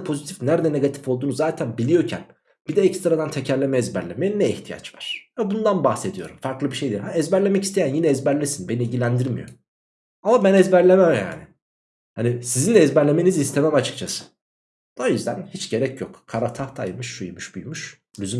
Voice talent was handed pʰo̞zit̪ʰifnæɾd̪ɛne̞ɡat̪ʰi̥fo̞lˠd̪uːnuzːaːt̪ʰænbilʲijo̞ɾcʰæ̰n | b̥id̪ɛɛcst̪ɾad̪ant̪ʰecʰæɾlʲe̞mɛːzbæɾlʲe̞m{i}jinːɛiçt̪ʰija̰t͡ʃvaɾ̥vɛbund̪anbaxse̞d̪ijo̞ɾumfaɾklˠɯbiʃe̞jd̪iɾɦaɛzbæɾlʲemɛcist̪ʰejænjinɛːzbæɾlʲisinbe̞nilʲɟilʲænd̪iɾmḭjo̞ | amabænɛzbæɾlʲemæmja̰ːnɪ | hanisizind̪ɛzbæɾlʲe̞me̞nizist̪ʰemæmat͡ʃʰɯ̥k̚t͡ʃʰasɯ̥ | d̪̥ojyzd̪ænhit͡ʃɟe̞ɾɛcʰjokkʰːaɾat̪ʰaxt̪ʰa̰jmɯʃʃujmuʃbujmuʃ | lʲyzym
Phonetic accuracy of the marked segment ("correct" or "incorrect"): incorrect